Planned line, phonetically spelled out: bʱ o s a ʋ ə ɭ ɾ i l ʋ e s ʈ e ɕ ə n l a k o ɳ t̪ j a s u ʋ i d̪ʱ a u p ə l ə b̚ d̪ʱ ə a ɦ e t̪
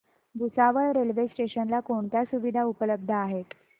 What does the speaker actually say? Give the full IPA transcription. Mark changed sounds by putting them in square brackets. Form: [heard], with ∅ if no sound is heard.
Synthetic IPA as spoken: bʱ [u] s a ʋ ə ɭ ɾ [e] l ʋ e s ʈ e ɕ ə n l a k o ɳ t̪ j a s u ʋ i d̪ʱ a u p ə l ə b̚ d̪ʱ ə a ɦ e t̪